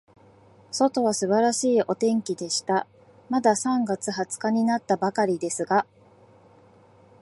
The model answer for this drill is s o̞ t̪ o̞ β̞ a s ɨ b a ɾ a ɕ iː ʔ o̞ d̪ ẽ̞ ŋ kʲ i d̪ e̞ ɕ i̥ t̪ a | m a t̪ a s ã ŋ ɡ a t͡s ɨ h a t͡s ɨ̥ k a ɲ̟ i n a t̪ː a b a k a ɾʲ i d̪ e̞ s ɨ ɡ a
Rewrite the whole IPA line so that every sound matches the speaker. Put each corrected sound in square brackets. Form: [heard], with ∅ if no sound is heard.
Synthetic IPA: s o̞ t̪ o̞ β̞ a s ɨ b a ɾ a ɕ iː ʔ o̞ [t̪] ẽ̞ ŋ kʲ i d̪ e̞ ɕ i̥ t̪ a | m a [d̪] a s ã ŋ ɡ a t͡s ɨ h a t͡s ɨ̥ k a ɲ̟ i n a t̪ː a b a k a ɾʲ i d̪ e̞ s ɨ ɡ a